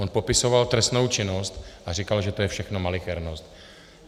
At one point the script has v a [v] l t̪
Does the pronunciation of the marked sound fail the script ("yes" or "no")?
yes